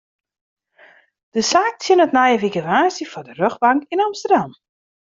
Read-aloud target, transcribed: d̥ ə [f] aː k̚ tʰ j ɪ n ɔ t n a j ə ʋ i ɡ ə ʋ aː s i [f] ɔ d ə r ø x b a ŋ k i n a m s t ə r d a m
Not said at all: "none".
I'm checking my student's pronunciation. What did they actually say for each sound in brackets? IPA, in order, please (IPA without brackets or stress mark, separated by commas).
s, f